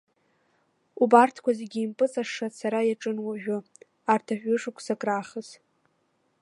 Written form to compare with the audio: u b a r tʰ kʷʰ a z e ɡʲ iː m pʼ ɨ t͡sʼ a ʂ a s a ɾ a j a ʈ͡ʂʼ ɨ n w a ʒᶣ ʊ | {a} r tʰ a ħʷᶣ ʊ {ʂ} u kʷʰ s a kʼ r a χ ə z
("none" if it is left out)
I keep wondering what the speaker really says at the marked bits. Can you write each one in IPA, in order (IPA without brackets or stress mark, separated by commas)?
a, ʂ